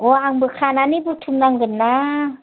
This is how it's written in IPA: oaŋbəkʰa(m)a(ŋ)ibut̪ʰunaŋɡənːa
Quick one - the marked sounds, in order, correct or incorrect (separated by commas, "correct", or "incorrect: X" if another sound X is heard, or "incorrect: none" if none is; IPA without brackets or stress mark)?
incorrect: n, incorrect: n